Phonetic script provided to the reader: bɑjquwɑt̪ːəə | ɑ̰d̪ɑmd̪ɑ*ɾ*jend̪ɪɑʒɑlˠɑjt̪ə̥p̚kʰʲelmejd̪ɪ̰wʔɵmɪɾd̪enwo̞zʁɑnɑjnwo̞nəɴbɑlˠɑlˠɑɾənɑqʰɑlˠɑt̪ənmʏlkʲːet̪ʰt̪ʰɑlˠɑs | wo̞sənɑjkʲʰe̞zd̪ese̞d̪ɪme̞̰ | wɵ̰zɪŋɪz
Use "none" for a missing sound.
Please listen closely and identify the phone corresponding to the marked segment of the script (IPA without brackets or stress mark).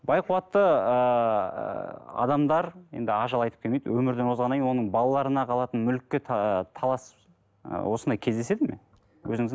ɾ